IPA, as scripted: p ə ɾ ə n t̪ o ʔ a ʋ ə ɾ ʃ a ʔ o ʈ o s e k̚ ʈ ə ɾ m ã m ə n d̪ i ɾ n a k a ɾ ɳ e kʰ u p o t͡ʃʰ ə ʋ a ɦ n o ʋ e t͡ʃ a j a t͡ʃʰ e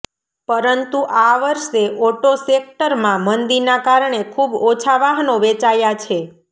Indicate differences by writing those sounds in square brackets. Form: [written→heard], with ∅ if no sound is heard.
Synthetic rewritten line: p ə ɾ ə n t̪ [o→u] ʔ a ʋ ə ɾ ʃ [a→e] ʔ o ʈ o s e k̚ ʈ ə ɾ m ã m ə n d̪ i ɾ n a k a ɾ ɳ e kʰ u [p→b] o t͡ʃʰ [ə→a] ʋ a ɦ n o ʋ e t͡ʃ a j a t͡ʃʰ e